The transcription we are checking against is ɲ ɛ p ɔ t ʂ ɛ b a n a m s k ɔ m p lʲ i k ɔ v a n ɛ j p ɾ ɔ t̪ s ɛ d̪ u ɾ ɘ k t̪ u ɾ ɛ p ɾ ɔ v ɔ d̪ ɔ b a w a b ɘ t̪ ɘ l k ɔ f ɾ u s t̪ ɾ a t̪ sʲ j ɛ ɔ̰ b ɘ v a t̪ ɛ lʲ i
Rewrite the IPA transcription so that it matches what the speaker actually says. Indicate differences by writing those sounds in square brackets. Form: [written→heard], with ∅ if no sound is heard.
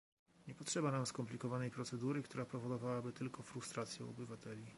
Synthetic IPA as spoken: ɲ ɛ p ɔ t ʂ ɛ b a n a m s k ɔ m p lʲ i k ɔ v a n ɛ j p ɾ ɔ t̪ s ɛ d̪ u ɾ ɘ k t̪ u ɾ [ɛ→a] p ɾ ɔ v ɔ d̪ ɔ [b→v] a w a b ɘ t̪ ɘ l k ɔ f ɾ u s t̪ ɾ a t̪ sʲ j ɛ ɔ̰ b ɘ v a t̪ ɛ lʲ i